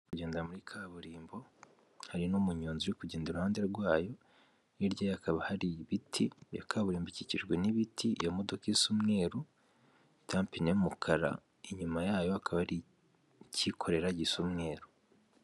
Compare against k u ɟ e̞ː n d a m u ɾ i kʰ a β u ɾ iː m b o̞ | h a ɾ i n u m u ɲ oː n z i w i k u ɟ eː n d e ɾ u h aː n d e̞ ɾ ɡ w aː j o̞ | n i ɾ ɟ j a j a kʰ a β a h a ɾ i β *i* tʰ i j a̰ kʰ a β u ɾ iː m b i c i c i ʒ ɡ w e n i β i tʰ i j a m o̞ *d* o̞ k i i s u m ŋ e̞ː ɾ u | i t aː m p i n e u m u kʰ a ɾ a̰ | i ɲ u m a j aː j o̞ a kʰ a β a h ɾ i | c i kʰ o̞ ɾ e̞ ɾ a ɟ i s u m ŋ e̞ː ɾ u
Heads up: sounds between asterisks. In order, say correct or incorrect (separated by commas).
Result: correct, correct